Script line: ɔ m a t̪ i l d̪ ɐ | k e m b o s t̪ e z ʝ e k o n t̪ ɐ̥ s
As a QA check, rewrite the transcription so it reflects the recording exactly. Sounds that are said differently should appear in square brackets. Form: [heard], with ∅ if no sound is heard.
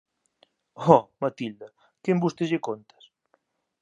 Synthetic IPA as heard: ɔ m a t̪ i l d̪ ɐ | k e m b [u] s t̪ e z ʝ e k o n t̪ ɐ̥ s

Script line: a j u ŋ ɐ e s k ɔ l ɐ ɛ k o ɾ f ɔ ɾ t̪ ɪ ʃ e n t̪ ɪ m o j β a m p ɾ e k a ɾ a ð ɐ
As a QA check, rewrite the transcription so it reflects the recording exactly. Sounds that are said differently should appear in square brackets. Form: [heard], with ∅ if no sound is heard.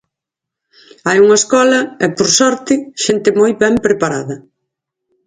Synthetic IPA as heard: a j u ŋ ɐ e s k ɔ l ɐ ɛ [p] o ɾ [s] ɔ ɾ t̪ ɪ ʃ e n t̪ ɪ m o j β [ɛ] m p ɾ e [p] a ɾ a ð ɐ

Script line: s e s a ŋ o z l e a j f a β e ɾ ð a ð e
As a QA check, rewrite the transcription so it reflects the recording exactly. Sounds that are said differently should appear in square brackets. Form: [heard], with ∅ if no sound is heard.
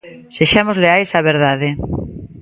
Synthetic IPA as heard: s e [ʃ] a [m] o z l e a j [s] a β e ɾ ð a ð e

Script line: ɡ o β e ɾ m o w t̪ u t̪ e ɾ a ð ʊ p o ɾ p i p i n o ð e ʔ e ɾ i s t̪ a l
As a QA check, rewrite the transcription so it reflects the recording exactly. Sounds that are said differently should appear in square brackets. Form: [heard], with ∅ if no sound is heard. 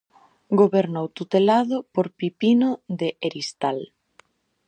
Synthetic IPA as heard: ɡ o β e ɾ [n] o w t̪ u t̪ e [l] a ð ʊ p o ɾ p i p i n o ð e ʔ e ɾ i s t̪ a l

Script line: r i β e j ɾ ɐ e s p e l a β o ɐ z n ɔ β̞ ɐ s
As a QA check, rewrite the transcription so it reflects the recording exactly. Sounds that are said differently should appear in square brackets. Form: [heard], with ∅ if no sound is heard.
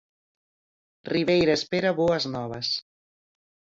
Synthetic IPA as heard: r i β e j ɾ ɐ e s p e [ɾ] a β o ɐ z n ɔ β̞ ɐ s

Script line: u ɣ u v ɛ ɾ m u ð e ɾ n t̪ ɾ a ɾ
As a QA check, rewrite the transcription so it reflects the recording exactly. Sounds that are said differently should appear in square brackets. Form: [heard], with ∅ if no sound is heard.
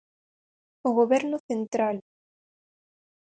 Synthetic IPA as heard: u ɣ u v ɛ ɾ [n] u [θ] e [∅] n t̪ ɾ a [l]

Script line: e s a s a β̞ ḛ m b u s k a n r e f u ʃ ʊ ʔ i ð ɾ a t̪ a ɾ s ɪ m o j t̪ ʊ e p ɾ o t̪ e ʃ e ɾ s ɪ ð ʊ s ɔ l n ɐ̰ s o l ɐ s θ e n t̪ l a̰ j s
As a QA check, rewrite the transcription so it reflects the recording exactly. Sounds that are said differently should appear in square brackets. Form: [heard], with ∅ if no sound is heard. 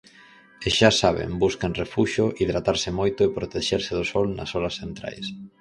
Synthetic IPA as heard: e [ʃ] a s a β̞ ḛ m b u s k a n r e f u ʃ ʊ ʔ i ð ɾ a t̪ a ɾ s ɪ m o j t̪ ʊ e p ɾ o t̪ e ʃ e ɾ s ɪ ð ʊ s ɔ l n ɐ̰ s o l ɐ s θ e n t̪ [ɾ] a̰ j s

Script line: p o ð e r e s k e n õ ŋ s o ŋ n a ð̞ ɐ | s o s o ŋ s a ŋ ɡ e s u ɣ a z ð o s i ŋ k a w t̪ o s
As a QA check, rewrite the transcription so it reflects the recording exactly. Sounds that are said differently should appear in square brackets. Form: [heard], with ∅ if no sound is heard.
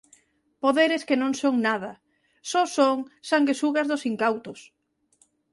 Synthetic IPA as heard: p o ð e [ɾ] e s k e n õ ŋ s o ŋ n a ð̞ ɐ | s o s o ŋ s a ŋ ɡ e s u ɣ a z ð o s i ŋ k a w t̪ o s

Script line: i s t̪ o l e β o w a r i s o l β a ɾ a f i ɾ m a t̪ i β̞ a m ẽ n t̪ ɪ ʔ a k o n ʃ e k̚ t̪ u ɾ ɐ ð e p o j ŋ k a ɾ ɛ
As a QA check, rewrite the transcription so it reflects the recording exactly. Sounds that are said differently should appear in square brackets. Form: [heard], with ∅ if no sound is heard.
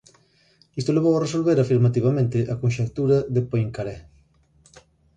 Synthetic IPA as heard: i s t̪ o l e β o w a r [e] s o l β [e] ɾ a f i ɾ m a t̪ i β̞ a m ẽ n t̪ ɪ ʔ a k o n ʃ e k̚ t̪ u ɾ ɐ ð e p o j ŋ k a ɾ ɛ

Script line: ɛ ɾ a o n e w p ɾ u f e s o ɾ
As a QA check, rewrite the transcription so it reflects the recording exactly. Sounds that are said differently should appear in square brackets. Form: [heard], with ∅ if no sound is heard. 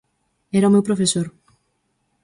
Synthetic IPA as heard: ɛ ɾ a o [m] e w p ɾ [o] f e s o ɾ

